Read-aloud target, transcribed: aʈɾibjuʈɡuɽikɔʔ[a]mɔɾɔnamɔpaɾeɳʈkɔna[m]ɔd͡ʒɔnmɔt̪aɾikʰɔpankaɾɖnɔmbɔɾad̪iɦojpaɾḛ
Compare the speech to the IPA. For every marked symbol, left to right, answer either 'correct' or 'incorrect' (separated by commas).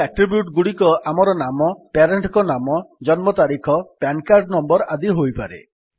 correct, correct